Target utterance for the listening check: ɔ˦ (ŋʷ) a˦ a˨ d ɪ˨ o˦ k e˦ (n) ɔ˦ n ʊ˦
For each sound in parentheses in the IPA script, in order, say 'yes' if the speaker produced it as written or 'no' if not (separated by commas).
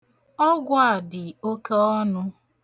no, no